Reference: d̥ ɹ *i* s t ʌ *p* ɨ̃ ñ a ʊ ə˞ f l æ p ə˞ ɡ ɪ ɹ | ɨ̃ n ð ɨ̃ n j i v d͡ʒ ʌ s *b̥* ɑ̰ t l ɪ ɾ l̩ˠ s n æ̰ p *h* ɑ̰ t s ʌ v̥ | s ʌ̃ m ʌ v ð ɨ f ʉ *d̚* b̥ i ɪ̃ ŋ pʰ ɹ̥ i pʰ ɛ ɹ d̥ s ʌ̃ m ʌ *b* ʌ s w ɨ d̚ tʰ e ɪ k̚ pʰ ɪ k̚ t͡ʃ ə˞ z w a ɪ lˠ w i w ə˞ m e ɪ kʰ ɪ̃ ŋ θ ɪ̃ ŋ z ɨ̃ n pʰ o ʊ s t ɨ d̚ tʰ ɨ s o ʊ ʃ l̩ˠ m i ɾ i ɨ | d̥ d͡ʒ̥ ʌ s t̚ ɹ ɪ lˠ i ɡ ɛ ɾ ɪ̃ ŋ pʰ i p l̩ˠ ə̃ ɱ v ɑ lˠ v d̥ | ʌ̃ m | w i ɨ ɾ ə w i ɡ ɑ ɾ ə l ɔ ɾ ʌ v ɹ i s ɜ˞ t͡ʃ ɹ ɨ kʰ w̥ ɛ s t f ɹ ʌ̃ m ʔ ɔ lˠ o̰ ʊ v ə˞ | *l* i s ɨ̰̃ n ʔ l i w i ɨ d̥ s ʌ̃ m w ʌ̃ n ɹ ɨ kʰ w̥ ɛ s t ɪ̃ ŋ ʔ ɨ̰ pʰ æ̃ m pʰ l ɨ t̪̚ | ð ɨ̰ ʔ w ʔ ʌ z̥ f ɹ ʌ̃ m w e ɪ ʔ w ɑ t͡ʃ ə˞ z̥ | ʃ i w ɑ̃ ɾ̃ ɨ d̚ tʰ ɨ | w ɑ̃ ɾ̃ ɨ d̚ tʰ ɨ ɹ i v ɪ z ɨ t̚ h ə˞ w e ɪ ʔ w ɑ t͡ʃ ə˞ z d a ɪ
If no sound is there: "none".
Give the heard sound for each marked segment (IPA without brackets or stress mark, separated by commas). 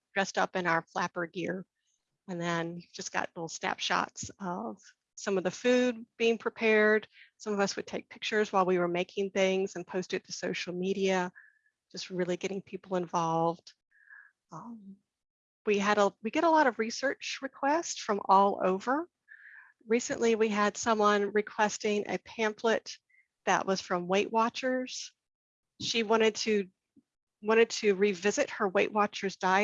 ɛ, p, ɡ̥, ʃ, d̚, v, ɹ